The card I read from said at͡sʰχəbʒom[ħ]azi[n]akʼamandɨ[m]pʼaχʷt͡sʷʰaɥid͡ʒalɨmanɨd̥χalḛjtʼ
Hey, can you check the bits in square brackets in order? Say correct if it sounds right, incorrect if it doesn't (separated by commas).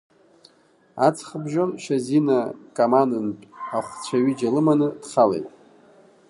incorrect, correct, incorrect